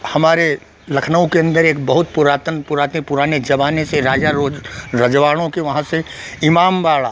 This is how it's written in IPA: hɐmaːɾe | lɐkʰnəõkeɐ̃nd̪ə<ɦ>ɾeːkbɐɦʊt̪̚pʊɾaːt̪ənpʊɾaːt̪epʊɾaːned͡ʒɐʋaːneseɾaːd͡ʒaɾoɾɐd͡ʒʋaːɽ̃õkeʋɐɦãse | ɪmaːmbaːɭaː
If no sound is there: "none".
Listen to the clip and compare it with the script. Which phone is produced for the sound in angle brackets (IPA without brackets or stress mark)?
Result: none